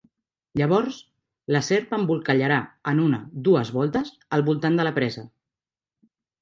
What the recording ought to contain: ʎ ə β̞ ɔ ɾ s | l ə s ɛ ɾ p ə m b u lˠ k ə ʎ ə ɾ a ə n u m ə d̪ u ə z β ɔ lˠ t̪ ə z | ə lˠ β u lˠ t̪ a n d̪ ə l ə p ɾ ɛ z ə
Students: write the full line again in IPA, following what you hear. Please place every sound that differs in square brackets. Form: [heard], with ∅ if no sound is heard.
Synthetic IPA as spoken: ʎ ə β̞ ɔ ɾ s | l ə s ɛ ɾ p ə m b u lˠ k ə ʎ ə ɾ a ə n u [n] ə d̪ u ə z β ɔ lˠ t̪ ə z | ə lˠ β u lˠ t̪ a n d̪ ə l ə p ɾ ɛ z ə